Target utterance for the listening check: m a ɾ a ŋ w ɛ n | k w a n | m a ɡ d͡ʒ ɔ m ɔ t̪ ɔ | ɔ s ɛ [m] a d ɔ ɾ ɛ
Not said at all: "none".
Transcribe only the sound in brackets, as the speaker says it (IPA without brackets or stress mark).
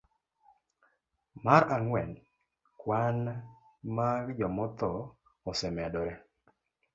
m